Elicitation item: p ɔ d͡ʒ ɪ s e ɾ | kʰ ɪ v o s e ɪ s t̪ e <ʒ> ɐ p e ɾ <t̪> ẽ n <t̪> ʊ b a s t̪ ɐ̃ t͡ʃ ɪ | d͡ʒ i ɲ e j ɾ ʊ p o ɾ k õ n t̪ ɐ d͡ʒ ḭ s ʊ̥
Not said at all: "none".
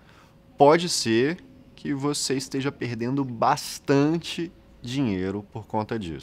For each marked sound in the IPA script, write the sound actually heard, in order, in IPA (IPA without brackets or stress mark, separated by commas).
ʒ, d̪, d̪